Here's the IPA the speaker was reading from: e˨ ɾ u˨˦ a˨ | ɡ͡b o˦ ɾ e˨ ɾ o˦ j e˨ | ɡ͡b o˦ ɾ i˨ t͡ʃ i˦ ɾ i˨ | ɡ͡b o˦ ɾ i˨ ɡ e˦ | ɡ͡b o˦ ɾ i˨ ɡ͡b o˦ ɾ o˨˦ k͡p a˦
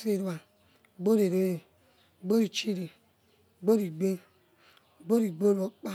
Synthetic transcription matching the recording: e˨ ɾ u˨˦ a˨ | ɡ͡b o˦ ɾ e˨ ɾ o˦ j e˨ | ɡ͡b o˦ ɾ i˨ t͡ʃ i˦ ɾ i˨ | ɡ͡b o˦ ɾ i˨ ɡ͡b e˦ | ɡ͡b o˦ ɾ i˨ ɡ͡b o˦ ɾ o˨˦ k͡p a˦